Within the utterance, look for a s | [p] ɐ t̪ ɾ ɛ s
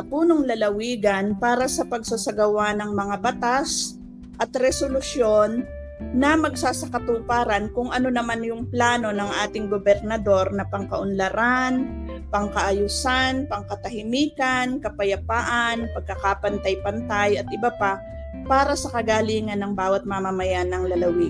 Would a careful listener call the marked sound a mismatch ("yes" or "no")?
yes